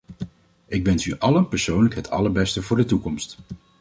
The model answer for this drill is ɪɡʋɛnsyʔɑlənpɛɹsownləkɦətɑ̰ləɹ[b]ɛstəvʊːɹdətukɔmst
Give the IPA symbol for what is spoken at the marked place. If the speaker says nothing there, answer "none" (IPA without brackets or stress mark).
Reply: b